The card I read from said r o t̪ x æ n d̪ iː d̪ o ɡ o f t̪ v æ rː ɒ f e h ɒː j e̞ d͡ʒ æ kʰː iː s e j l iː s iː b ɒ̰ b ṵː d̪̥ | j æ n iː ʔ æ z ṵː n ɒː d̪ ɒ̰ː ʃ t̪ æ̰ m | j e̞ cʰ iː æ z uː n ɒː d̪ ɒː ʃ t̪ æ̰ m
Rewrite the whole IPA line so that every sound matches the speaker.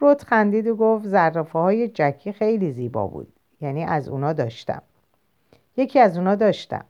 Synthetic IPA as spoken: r o t̪ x æ n d̪ iː d̪ o ɡ o f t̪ z æ rː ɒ f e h ɒː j e̞ d͡ʒ æ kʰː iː x e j l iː z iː b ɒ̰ b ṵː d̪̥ | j æ n iː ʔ æ z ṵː n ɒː d̪ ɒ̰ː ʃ t̪ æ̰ m | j e̞ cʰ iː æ z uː n ɒː d̪ ɒː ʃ t̪ æ̰ m